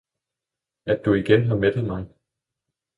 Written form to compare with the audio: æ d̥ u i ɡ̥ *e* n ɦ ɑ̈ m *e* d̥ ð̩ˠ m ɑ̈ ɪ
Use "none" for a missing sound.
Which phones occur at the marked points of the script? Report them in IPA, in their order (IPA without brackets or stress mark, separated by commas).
e, e